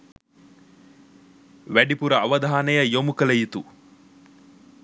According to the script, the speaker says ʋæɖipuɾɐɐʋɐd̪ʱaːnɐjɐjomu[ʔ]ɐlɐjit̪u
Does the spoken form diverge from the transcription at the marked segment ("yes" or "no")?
yes